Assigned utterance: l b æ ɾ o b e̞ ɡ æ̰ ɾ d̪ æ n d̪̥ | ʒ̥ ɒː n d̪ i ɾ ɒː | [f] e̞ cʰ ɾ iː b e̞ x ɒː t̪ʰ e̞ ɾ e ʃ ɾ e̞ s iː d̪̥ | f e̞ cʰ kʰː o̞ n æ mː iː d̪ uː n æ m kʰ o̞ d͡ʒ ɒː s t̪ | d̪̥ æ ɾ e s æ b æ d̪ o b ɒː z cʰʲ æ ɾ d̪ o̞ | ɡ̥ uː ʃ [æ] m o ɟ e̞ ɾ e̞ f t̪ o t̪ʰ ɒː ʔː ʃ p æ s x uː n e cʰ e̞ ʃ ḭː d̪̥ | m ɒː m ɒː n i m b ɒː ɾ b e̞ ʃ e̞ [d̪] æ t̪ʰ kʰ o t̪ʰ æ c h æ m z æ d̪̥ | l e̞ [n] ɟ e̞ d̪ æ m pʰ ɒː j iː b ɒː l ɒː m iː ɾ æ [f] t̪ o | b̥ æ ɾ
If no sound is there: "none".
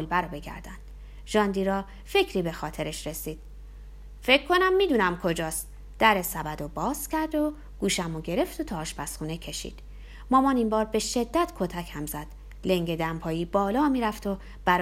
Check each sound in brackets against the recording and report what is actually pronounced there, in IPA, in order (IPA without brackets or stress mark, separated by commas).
f, æ, d̪ː, ŋ, f